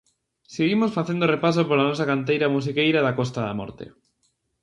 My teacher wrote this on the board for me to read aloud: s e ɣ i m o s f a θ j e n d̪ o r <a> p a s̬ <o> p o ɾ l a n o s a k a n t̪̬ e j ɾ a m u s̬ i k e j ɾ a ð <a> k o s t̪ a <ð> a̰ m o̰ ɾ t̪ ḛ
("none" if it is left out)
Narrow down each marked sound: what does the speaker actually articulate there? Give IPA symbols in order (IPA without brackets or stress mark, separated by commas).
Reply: e, o, a, ð